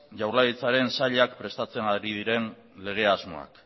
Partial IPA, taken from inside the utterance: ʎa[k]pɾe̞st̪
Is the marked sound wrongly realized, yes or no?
no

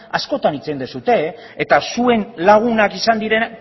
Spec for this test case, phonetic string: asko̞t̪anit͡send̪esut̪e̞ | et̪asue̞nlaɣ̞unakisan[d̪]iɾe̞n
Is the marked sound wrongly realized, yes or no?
no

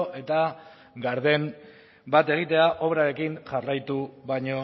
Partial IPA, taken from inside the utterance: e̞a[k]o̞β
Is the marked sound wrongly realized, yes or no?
yes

